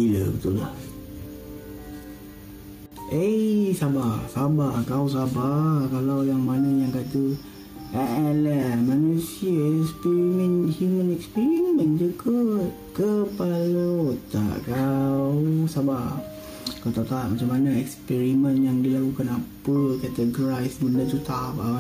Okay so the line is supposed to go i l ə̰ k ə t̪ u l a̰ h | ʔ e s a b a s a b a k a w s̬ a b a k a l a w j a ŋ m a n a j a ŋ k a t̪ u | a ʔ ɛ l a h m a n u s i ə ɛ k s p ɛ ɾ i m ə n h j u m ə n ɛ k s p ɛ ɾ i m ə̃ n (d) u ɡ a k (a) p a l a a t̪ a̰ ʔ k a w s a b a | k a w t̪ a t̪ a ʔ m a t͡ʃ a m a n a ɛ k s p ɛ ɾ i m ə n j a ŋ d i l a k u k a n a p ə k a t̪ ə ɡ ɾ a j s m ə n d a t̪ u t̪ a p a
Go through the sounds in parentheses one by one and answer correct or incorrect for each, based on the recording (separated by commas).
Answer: incorrect, incorrect